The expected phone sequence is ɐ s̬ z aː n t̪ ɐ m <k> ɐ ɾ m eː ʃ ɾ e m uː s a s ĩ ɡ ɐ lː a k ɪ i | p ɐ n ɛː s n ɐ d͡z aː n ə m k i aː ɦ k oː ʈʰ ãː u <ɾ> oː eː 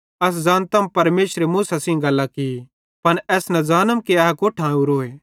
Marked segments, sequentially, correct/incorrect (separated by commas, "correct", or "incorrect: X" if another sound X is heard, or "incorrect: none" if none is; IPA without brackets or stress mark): incorrect: p, correct